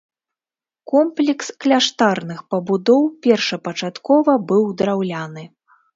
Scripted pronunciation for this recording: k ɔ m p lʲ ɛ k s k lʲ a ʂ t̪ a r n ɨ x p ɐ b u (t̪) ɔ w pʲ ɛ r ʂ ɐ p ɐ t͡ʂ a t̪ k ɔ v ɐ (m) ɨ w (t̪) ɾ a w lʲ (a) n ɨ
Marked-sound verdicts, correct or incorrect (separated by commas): incorrect, incorrect, incorrect, correct